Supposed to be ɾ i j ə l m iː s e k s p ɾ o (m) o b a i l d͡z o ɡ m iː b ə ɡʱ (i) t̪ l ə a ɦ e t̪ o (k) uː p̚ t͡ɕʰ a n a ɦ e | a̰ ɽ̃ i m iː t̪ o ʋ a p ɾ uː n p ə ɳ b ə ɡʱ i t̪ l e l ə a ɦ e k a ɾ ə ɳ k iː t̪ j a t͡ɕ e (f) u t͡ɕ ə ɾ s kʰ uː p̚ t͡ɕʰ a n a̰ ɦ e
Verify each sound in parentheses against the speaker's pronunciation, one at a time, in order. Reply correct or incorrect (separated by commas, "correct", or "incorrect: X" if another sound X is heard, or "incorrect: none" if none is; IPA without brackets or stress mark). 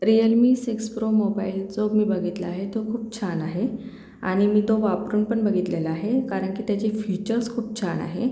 correct, correct, incorrect: kʰ, correct